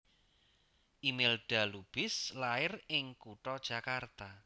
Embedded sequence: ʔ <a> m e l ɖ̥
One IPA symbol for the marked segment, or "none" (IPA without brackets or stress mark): i